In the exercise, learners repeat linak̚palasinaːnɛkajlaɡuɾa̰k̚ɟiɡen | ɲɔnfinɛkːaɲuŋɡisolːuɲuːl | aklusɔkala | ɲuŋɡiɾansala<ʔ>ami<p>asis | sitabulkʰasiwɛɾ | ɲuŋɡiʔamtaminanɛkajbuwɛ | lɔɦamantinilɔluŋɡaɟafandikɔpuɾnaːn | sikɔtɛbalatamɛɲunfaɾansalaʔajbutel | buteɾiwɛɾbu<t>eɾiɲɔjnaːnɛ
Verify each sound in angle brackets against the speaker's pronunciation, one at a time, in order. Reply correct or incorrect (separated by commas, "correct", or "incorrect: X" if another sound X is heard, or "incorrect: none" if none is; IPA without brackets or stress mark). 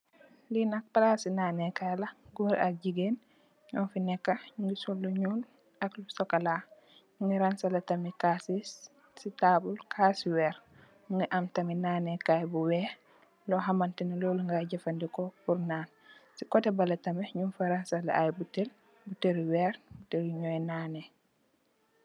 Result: incorrect: t, incorrect: k, correct